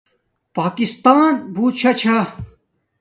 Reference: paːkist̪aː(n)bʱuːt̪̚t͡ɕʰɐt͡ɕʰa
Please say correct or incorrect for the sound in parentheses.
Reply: correct